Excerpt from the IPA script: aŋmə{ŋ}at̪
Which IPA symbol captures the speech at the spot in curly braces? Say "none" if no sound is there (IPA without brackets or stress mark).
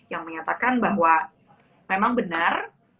ɲ